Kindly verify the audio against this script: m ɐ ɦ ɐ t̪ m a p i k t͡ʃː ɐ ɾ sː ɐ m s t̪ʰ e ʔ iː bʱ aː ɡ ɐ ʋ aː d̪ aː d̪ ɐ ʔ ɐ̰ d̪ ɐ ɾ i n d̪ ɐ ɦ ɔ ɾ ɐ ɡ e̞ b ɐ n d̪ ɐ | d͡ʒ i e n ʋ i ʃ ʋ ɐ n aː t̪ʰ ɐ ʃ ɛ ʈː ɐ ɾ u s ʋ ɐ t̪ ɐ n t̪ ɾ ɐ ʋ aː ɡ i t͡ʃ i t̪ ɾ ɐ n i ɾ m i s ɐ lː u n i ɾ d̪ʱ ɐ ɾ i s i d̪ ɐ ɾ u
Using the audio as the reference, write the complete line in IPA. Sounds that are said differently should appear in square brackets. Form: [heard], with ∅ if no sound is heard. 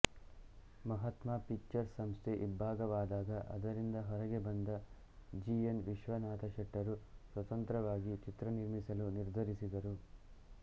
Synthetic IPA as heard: m ɐ ɦ ɐ t̪ m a p i k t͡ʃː ɐ ɾ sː ɐ m s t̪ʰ e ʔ [i] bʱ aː ɡ ɐ ʋ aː d̪ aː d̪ ɐ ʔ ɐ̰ d̪ ɐ ɾ i n d̪ ɐ ɦ ɔ ɾ ɐ ɡ e̞ b ɐ n d̪ ɐ | d͡ʒ i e n ʋ i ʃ ʋ ɐ n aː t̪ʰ ɐ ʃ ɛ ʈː ɐ ɾ u s ʋ ɐ t̪ ɐ n t̪ ɾ ɐ ʋ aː ɡ i t͡ʃ i t̪ ɾ ɐ n i ɾ m i s ɐ [l] u n i ɾ d̪ʱ ɐ ɾ i s i d̪ ɐ ɾ u